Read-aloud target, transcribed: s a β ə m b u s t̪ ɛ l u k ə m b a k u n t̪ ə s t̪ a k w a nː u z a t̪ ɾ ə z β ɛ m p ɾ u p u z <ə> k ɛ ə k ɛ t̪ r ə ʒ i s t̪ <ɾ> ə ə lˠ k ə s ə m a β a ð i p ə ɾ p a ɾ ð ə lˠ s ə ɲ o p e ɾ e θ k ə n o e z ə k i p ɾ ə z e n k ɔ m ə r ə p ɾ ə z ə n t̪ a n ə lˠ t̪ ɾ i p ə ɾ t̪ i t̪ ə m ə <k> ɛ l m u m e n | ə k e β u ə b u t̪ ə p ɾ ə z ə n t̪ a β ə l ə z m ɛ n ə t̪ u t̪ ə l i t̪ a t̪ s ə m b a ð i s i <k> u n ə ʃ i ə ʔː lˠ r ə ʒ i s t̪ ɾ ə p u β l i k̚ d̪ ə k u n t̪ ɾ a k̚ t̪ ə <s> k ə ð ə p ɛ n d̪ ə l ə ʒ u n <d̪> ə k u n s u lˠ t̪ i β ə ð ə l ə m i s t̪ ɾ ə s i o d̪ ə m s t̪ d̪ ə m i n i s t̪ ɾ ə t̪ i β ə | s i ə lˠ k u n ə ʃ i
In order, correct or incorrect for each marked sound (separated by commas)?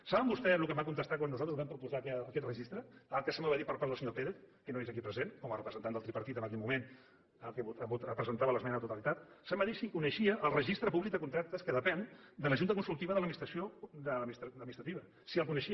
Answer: incorrect, correct, correct, correct, correct, incorrect